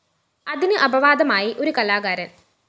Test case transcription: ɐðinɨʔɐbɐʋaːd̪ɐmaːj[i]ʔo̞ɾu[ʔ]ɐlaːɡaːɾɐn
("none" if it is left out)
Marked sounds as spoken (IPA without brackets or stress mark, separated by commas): i, k